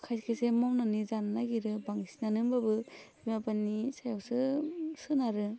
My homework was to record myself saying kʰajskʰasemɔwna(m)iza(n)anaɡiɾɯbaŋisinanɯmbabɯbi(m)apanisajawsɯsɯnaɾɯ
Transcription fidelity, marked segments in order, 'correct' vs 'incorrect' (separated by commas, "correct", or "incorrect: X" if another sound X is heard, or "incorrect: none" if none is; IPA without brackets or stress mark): incorrect: n, correct, correct